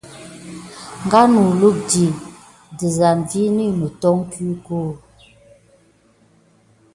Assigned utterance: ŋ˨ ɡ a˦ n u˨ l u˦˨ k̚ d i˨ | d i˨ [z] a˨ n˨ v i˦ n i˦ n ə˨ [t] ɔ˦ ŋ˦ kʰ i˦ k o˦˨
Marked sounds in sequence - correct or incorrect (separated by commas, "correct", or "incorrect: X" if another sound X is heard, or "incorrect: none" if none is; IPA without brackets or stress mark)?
correct, correct